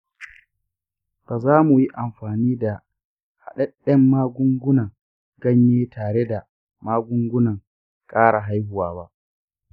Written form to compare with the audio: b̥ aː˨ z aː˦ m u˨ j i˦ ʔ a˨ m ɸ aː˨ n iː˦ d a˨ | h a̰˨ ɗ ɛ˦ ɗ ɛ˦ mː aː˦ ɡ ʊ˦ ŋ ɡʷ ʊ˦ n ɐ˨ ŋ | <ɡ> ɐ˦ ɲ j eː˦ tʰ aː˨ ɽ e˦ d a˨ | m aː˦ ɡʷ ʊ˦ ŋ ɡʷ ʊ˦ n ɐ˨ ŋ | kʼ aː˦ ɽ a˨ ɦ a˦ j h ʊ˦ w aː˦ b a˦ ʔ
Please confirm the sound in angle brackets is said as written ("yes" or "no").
yes